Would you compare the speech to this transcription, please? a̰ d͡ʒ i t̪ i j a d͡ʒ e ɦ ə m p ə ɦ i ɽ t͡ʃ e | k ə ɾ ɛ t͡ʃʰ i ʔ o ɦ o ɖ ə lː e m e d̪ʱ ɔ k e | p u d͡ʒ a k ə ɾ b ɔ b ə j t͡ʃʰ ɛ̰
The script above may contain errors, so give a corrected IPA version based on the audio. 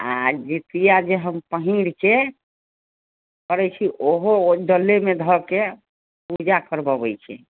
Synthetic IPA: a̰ d͡ʒ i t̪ i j a d͡ʒ e ɦ ə m p ə ɦ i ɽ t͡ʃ e | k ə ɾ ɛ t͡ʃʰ i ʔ o ɦ o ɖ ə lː e m e d̪ʱ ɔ k e | p u d͡ʒ a k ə ɾ b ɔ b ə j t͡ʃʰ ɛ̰